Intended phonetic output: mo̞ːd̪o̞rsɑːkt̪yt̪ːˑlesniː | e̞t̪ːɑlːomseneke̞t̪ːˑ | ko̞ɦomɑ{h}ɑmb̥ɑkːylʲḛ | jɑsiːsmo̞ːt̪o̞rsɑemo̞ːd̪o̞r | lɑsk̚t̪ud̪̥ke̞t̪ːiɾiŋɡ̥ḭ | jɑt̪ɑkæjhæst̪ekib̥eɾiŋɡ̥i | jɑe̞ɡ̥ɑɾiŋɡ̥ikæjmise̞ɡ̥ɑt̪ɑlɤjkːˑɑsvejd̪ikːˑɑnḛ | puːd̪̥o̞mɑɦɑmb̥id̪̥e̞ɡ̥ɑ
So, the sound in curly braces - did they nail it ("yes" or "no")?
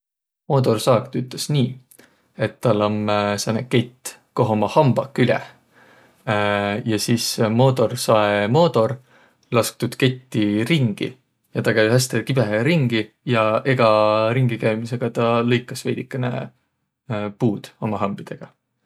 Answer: yes